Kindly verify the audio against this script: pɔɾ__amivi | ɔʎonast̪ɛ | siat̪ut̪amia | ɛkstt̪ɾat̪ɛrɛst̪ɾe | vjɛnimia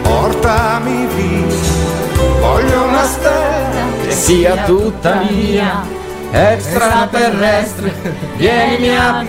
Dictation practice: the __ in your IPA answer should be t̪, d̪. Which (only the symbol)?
t̪